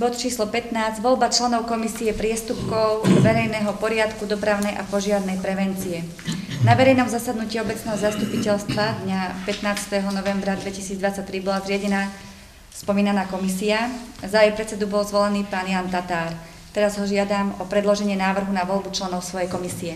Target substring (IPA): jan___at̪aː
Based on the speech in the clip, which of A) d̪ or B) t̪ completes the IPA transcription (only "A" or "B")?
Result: B